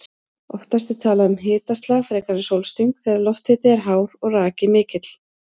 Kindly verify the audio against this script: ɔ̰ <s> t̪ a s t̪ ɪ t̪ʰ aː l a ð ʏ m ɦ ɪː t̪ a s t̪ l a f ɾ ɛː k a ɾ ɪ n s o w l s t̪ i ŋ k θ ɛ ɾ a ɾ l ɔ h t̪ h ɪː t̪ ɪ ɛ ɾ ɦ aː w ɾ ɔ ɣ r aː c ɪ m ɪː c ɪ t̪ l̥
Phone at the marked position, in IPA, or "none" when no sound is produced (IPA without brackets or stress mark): f